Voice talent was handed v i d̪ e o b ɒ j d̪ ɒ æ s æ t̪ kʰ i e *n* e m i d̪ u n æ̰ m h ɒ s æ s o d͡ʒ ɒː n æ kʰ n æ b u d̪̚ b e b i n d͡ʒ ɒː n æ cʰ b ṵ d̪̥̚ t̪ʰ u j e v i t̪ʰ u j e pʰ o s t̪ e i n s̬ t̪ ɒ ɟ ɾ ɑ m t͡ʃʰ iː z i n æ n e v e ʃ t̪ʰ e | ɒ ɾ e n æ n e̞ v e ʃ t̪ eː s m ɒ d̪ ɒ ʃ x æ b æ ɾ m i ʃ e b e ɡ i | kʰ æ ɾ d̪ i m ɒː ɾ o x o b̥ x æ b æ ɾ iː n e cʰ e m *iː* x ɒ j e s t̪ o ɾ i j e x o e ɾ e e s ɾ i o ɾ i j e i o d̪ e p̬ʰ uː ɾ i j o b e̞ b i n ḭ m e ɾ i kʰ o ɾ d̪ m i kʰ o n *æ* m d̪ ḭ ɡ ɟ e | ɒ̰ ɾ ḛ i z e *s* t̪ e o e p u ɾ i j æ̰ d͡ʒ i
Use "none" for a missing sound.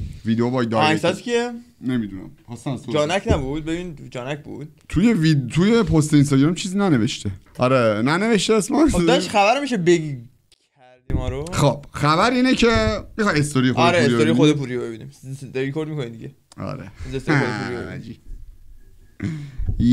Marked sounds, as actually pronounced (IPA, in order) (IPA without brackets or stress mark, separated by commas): n, i, i, s